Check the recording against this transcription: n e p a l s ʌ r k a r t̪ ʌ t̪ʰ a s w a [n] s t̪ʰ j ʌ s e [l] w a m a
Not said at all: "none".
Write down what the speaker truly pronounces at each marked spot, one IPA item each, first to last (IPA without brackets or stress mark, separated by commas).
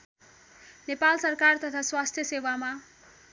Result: none, none